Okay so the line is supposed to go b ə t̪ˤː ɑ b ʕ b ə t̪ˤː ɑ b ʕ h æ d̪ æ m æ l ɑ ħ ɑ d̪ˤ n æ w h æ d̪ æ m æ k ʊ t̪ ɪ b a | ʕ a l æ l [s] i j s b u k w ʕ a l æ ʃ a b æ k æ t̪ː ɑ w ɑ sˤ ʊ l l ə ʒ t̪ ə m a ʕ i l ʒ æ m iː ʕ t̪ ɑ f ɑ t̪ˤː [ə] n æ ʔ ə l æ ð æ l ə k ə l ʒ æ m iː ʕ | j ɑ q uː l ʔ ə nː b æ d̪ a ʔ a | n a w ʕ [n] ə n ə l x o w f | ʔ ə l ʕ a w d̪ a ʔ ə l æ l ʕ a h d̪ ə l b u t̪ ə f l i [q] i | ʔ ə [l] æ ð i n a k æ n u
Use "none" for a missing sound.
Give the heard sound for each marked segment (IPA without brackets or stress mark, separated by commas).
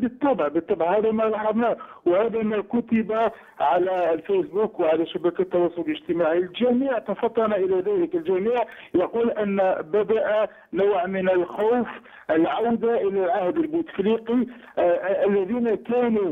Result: f, ɑ, m, q, lː